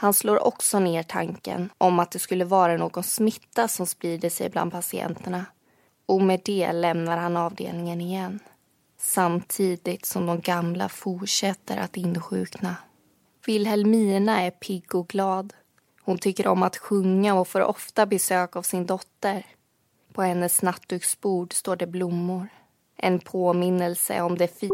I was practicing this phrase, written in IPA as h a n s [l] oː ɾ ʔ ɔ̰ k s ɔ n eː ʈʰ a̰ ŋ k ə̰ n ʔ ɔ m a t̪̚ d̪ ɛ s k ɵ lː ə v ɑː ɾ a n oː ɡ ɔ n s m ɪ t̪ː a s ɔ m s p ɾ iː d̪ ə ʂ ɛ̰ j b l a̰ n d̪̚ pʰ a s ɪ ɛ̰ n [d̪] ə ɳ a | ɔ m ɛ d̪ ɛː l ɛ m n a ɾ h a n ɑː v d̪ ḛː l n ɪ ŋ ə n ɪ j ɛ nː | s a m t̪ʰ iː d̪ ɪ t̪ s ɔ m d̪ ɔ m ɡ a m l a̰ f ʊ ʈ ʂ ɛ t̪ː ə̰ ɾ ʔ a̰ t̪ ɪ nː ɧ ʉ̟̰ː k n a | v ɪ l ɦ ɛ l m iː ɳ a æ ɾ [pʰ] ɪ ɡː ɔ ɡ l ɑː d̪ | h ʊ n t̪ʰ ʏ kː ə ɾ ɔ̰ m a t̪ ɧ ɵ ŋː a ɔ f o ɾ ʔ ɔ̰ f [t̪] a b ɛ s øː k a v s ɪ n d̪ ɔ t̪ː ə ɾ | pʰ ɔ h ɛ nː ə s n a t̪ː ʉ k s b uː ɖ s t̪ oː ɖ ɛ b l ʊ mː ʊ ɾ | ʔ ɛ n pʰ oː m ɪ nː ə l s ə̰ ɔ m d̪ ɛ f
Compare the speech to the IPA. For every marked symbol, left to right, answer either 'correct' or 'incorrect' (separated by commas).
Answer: correct, incorrect, correct, correct